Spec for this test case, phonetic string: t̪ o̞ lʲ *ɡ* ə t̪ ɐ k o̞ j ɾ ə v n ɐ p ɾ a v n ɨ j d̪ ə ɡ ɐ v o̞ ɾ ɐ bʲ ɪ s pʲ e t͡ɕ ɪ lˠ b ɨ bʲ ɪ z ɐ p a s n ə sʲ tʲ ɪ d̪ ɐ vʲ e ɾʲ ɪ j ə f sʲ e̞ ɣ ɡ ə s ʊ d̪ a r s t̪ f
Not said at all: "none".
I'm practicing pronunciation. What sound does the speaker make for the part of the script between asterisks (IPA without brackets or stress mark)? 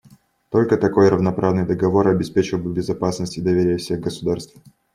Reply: k